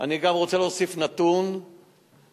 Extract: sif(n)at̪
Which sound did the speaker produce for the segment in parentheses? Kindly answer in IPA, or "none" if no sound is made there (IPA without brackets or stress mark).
n